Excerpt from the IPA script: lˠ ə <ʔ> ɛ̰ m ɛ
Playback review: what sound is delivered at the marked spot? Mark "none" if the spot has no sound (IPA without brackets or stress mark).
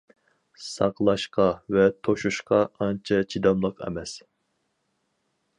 q